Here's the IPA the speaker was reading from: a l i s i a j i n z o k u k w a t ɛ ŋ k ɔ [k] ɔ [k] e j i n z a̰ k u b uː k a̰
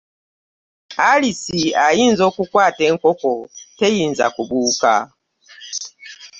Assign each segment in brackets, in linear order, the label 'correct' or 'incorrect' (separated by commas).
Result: correct, incorrect